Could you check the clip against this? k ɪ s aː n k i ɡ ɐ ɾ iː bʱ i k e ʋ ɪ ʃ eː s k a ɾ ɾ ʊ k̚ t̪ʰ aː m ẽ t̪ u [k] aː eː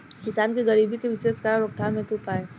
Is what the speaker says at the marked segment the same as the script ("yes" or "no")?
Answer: no